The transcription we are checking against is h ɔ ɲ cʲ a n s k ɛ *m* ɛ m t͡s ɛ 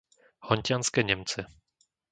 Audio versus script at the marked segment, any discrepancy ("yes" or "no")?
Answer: yes